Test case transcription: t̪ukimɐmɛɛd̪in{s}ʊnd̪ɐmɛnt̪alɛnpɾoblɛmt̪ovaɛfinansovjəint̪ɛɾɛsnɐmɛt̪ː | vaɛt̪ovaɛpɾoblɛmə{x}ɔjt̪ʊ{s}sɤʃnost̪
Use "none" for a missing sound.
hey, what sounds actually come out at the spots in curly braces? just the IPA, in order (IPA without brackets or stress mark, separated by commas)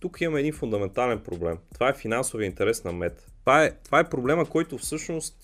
f, k, f